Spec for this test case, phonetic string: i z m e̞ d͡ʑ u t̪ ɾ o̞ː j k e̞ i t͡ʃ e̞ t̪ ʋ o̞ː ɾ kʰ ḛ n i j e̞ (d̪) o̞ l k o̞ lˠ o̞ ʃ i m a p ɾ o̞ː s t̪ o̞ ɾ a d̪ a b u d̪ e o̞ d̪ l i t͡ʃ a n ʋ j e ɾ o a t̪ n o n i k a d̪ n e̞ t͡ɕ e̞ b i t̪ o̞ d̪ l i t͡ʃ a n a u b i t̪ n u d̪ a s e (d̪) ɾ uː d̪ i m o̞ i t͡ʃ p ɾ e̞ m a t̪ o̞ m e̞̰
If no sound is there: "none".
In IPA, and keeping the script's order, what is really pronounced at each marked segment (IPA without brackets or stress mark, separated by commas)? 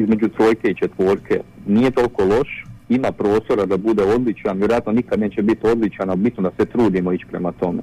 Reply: t̪, t̪